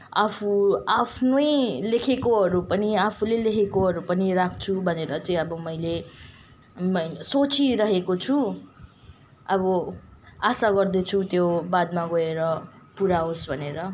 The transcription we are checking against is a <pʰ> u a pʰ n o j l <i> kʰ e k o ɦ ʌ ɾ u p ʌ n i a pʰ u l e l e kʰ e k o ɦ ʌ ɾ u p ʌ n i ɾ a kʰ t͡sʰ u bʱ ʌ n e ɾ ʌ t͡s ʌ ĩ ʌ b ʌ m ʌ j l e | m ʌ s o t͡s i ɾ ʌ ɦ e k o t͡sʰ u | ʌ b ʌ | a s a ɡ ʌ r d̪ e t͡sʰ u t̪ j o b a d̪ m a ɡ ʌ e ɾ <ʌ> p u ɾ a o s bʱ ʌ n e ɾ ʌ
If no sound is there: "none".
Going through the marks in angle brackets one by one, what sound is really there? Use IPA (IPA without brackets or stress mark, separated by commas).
pʰ, e, ʌ